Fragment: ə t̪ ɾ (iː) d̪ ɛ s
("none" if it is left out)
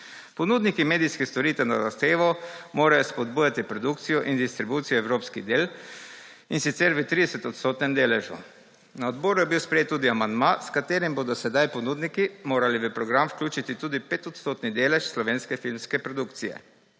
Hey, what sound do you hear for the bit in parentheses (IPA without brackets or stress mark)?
i